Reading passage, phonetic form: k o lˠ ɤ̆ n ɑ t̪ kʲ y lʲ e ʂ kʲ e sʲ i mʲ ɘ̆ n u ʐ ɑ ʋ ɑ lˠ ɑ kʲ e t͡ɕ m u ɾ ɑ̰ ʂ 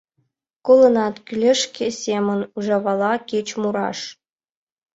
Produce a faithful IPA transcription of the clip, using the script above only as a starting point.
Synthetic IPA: k o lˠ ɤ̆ n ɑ t̪ kʲ y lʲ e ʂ kʲ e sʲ e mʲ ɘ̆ n u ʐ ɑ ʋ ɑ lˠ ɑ kʲ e t͡ɕ m u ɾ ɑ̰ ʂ